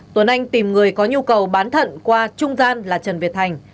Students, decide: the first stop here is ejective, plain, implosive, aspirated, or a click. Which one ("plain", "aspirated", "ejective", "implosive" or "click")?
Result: plain